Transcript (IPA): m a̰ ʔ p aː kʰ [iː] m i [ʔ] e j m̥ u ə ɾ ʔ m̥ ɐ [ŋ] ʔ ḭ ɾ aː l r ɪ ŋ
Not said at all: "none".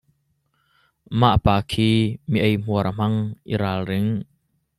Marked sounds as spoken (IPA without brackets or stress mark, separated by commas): iː, ʔ, ŋ